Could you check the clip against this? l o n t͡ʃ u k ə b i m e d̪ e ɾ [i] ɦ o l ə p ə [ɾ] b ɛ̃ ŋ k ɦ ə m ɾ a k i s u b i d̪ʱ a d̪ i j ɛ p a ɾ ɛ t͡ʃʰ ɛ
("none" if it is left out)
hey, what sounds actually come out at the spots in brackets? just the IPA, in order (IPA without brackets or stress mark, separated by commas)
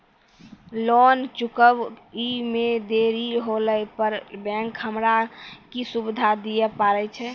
i, ɾ